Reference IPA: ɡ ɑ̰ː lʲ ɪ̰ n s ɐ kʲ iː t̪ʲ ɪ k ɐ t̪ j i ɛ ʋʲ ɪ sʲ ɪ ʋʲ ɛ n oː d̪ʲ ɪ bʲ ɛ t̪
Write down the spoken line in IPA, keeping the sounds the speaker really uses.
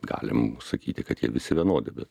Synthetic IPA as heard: ɡ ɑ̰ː lʲ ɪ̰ m s ɐ kʲ iː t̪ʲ ɪ k ɐ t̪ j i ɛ ʋʲ ɪ sʲ ɪ ʋʲ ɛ n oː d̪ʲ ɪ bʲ ɛ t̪